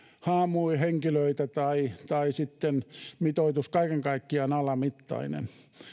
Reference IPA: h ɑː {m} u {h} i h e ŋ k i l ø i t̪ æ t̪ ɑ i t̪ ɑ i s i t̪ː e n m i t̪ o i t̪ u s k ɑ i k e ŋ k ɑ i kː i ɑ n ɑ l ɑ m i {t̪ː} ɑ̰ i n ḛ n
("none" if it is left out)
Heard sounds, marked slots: m, none, t̪ː

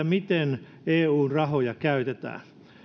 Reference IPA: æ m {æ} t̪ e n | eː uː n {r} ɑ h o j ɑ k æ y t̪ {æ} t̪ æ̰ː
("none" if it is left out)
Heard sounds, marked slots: i, r, e

